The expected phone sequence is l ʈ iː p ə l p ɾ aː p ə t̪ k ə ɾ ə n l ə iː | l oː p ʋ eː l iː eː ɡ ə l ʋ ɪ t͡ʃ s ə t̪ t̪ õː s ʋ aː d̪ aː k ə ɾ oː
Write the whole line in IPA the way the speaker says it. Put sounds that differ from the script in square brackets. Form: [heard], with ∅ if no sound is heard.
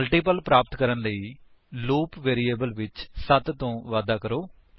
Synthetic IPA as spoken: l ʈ iː p ə l p ɾ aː p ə t̪ k ə ɾ ə n l ə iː | l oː p ʋ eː [ɾ] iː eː [b] ə l ʋ ɪ t͡ʃ s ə t̪ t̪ õː [∅] ʋ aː d̪ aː k ə ɾ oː